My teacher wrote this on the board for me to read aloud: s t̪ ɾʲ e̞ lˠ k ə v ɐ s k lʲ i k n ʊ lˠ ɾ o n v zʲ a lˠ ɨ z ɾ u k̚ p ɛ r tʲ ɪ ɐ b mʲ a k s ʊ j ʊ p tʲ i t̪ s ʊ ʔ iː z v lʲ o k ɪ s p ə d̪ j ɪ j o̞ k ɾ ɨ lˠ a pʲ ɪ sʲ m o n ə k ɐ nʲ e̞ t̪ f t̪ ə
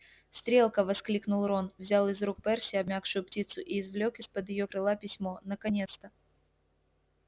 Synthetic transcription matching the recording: s t̪ ɾʲ e̞ lˠ k ə v ɐ s k lʲ i k n ʊ lˠ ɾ o n v zʲ a lˠ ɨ z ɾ u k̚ p ɛ r sʲ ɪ ɐ b mʲ a k ʂ ʊ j ʊ p tʲ i t̪ s ʊ ʔ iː z v lʲ o k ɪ s p ə d̪ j ɪ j o̞ k ɾ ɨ lˠ a pʲ ɪ sʲ m o n ə k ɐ nʲ e̞ t̪ s t̪ ə